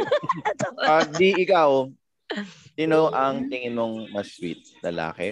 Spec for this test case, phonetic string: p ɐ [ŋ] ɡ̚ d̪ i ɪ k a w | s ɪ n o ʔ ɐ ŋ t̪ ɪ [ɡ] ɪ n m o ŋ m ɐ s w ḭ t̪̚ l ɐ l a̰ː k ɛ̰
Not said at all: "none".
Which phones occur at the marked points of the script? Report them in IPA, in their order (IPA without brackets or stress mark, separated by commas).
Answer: none, ŋ